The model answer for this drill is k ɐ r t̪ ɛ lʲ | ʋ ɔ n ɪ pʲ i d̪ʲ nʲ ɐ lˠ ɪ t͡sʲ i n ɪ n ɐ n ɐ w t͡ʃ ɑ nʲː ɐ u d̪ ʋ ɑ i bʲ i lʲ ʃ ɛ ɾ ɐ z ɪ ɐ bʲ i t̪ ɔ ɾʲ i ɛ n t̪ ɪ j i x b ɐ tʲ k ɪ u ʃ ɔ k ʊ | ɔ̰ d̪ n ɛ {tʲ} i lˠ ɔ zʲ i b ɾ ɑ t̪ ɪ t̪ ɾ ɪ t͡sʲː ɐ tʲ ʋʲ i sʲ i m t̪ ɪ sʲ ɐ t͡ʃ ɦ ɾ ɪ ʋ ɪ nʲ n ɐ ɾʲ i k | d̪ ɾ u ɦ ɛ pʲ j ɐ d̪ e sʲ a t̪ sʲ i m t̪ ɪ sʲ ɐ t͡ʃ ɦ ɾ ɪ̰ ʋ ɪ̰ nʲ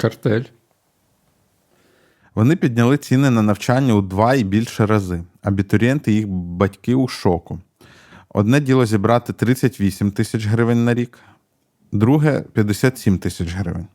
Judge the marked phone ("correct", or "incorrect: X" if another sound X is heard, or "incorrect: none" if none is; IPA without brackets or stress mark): incorrect: dʲ